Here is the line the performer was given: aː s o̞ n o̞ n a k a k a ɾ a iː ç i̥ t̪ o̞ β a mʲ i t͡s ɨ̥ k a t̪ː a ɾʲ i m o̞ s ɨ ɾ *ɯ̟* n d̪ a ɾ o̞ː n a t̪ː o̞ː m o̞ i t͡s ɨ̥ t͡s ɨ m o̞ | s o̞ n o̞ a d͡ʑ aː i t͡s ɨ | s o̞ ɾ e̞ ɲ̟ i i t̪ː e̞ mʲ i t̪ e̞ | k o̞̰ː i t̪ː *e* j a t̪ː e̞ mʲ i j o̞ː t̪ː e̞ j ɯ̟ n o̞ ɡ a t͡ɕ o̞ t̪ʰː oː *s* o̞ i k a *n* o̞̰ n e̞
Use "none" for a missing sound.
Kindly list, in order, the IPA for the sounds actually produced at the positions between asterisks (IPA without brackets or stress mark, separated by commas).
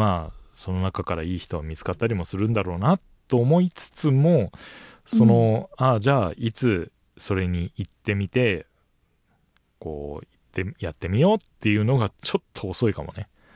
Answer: ɯ̟̃, e, s, m